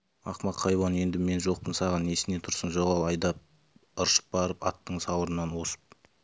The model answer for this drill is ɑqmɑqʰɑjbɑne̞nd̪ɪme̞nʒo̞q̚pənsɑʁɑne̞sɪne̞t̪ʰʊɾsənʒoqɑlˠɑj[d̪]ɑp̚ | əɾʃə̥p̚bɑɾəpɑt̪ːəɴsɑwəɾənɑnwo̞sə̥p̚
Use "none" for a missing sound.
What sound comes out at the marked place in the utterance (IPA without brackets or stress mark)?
d̪